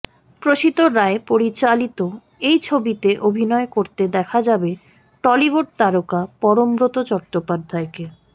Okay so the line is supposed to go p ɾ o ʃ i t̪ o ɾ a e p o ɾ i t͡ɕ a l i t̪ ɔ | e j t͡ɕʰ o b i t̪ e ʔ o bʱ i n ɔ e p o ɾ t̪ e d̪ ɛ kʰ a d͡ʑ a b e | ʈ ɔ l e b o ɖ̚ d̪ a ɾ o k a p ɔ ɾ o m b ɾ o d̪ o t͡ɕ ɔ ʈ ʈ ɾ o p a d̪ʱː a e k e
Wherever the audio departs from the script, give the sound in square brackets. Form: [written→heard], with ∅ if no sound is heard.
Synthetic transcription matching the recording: p ɾ o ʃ i t̪ o ɾ a e p o ɾ i t͡ɕ a l i t̪ [ɔ→o] | e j t͡ɕʰ o b i t̪ e ʔ o bʱ i n ɔ e [p→k] o ɾ t̪ e d̪ ɛ kʰ a d͡ʑ a b e | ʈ ɔ l [e→i] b o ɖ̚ [d̪→t̪] a ɾ o k a p ɔ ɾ o m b ɾ o [d̪→t̪] o t͡ɕ ɔ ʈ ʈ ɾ o p a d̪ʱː a e k e